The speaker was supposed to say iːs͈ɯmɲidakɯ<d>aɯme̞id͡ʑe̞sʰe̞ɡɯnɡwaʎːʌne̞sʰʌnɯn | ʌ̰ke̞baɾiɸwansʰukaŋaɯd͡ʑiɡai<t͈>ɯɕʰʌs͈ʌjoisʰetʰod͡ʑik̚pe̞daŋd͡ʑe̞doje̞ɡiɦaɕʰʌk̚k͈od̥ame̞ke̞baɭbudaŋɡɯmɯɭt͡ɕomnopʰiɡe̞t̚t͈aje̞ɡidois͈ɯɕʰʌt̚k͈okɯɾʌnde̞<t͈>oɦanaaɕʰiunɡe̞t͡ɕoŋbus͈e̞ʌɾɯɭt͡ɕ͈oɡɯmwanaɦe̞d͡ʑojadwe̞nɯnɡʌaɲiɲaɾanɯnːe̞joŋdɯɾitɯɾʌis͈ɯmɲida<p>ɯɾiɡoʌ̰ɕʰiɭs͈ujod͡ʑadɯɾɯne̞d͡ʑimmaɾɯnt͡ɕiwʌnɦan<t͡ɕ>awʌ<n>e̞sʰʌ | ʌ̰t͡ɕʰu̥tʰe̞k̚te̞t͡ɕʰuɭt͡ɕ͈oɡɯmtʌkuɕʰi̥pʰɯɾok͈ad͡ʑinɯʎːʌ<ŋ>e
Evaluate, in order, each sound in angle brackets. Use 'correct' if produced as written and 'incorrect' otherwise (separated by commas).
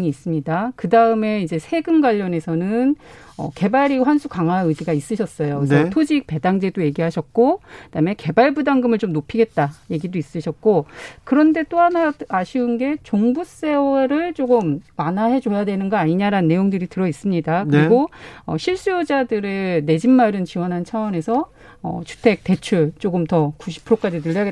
correct, incorrect, correct, incorrect, incorrect, correct, incorrect